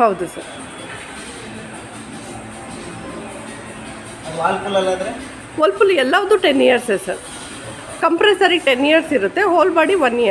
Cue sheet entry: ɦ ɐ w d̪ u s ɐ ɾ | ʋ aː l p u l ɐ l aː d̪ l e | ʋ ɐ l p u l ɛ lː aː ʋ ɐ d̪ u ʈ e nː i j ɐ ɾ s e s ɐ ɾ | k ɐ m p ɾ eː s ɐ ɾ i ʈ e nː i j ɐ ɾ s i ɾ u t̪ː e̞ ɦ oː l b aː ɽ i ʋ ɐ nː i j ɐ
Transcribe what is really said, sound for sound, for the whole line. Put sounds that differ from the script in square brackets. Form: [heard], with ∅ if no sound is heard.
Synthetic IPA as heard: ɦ ɐ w d̪ u s ɐ ɾ | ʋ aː l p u l ɐ l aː d̪ [ɾ] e | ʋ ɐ l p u l ɛ lː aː ʋ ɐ d̪ u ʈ e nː i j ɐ ɾ s e s ɐ ɾ | k ɐ m p ɾ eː s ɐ ɾ i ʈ e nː i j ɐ ɾ s i ɾ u t̪ː e̞ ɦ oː l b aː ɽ i ʋ ɐ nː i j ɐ